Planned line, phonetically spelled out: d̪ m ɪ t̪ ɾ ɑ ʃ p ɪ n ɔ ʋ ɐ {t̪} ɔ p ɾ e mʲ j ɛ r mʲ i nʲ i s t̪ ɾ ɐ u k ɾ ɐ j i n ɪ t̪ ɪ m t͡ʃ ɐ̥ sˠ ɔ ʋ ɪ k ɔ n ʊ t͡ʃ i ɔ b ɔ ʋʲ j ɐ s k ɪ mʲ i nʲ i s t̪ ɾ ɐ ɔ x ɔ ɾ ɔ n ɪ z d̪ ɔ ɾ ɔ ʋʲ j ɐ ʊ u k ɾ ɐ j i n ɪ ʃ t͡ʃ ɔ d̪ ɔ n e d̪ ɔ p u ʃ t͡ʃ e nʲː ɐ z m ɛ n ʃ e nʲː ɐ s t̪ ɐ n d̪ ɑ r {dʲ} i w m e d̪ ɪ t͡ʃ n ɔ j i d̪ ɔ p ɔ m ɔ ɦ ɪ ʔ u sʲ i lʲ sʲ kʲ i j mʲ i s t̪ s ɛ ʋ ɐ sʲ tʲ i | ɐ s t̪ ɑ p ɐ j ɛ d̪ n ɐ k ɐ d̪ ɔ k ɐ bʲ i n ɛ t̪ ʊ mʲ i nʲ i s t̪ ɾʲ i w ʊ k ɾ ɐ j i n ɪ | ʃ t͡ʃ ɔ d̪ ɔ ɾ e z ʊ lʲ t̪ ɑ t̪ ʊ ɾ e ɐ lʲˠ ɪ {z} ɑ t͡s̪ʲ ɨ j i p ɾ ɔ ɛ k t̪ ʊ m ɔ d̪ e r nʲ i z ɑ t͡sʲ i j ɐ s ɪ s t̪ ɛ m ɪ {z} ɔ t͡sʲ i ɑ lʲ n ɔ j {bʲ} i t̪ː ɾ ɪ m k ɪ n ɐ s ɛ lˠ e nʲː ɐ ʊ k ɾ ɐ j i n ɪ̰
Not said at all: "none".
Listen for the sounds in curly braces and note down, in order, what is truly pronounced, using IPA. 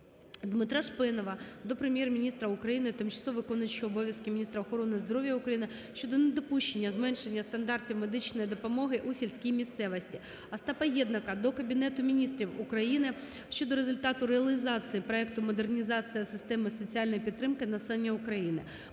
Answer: d̪, tʲ, z, s, pʲ

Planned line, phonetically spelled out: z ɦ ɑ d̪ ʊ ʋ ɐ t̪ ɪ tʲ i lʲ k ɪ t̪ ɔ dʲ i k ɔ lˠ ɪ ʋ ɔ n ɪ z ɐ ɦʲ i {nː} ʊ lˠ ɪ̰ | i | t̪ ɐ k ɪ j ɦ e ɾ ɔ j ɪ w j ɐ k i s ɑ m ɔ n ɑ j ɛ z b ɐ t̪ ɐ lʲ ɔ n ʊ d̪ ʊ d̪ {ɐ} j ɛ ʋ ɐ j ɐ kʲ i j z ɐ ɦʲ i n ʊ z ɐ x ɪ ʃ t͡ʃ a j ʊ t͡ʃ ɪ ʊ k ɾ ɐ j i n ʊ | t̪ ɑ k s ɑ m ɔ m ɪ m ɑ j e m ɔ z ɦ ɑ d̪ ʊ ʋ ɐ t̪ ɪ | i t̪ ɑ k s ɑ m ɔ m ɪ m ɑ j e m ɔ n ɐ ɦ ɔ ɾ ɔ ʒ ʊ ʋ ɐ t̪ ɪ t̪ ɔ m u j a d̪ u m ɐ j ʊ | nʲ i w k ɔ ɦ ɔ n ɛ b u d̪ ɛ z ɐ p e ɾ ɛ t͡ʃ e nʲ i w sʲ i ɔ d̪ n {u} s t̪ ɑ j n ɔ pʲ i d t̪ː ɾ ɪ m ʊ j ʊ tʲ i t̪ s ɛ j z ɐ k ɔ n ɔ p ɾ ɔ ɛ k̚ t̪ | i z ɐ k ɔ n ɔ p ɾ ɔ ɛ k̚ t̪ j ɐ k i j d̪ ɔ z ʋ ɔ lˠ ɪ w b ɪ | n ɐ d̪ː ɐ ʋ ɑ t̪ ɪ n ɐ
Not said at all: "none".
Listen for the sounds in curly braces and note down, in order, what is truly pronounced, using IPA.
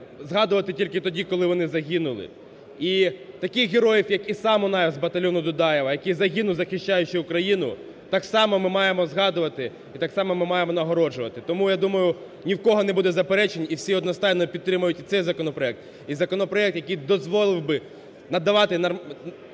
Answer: n, ɑ, ɔ

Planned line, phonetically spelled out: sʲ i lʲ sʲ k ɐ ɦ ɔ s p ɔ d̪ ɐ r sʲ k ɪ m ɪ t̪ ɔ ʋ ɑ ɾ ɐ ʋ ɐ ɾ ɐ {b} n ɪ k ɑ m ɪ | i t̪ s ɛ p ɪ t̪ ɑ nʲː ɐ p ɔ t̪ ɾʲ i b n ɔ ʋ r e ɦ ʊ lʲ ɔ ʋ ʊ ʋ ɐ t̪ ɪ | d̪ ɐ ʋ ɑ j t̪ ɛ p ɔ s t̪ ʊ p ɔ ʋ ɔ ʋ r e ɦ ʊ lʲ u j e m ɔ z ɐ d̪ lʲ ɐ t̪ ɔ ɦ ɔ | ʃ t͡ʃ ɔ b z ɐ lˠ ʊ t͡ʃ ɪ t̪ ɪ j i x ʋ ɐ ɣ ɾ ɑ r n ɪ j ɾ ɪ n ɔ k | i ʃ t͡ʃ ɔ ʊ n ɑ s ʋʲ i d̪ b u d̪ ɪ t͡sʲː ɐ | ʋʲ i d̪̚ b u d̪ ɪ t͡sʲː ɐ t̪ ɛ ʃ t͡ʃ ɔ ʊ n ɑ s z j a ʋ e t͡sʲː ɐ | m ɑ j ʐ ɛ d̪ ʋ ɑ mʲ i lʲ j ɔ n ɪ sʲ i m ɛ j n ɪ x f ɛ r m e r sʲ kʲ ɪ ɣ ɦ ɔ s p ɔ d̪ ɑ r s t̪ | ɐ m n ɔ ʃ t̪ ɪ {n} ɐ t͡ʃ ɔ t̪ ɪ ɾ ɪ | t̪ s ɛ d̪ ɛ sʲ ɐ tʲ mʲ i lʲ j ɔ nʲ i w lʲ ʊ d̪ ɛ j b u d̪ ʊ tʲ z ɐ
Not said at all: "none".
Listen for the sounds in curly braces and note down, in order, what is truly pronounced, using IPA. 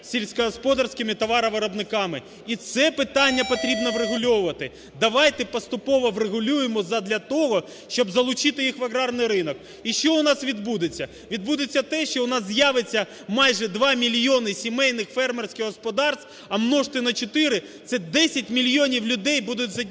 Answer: b, n

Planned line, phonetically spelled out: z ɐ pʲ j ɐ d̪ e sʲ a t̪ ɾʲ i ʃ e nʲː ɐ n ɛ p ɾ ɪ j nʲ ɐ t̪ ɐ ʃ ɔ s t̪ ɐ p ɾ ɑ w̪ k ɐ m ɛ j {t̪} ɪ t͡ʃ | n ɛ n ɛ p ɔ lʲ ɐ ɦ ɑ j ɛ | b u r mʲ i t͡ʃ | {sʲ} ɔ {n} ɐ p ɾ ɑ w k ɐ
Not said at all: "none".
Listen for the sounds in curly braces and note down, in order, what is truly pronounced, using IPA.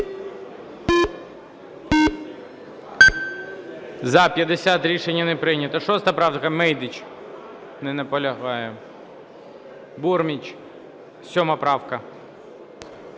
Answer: d̪, sʲ, m

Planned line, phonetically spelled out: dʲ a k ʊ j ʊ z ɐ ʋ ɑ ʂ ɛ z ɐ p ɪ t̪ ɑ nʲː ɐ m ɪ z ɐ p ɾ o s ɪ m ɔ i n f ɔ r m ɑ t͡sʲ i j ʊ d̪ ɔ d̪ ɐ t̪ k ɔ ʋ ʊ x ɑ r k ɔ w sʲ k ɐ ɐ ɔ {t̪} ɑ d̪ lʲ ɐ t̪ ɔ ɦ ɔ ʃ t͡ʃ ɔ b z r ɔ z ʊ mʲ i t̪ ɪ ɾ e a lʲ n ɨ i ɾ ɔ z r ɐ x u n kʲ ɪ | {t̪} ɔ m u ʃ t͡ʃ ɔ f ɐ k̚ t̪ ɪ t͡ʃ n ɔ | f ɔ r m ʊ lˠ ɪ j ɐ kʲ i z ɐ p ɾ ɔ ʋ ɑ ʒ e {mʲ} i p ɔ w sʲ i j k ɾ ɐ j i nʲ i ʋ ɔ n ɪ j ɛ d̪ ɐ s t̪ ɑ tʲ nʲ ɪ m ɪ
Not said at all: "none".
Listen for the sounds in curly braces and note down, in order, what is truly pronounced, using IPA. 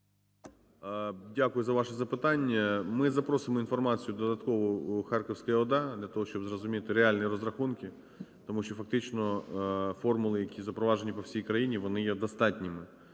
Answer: d̪, t̪, nʲ

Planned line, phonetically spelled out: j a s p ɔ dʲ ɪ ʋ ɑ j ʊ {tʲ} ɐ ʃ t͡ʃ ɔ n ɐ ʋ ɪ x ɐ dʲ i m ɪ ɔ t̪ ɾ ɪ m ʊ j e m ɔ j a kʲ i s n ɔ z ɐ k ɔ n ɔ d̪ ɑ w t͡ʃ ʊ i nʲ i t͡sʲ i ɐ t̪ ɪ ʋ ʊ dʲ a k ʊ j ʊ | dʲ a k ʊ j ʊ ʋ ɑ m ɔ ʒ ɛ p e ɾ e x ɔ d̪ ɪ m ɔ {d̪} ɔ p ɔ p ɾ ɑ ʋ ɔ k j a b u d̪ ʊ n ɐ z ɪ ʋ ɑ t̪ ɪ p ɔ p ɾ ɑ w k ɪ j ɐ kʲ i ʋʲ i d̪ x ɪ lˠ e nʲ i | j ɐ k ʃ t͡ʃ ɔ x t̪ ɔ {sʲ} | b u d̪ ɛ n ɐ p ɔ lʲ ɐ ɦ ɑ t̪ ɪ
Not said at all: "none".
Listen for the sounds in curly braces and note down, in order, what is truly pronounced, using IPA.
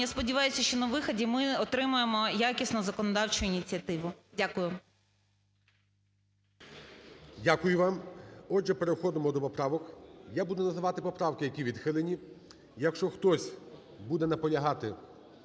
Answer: sʲ, d̪, sʲ

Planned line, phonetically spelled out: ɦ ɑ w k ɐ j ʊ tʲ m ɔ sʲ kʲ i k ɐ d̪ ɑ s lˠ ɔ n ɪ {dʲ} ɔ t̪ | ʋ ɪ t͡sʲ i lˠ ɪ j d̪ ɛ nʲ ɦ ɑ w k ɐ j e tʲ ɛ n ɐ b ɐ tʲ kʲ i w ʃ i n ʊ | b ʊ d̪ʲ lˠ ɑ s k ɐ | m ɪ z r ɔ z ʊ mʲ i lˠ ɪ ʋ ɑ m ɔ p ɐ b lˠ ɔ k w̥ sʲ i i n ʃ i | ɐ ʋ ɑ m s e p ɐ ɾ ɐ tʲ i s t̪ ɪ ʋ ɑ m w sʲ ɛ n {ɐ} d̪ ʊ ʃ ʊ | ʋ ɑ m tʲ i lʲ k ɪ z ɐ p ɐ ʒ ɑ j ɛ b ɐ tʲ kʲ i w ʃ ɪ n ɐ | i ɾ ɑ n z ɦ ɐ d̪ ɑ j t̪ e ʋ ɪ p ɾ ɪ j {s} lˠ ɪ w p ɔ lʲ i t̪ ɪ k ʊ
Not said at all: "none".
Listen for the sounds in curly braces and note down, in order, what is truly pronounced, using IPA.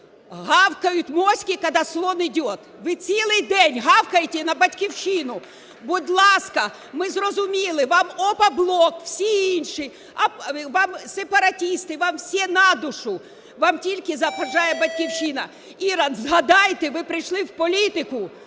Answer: dʲ, ɑ, ʃ

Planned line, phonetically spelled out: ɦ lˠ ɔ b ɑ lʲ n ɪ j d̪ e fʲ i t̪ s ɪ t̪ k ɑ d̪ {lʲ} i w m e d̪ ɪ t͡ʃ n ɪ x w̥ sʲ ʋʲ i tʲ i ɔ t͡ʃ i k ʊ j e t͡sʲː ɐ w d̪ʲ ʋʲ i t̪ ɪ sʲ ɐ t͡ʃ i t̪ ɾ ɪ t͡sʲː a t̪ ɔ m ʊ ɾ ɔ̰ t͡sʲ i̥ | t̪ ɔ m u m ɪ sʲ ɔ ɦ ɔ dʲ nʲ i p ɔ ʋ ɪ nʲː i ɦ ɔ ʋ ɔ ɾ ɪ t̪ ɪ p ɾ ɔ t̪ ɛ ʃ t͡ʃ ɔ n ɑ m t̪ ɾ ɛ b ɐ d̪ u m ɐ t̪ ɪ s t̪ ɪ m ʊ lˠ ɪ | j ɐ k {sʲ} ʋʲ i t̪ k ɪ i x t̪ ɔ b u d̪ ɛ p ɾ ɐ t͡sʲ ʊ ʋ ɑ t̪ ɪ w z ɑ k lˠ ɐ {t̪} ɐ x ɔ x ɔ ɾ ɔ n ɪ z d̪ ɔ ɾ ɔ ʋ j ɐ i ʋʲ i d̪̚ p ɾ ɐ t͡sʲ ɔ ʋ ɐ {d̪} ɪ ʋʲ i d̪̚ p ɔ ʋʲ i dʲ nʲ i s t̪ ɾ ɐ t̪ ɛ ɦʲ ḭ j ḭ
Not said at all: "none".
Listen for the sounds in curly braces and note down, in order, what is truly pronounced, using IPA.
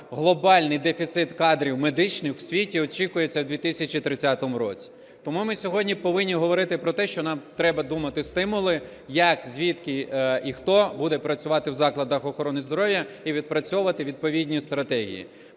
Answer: ɾʲ, zʲ, d̪, t̪

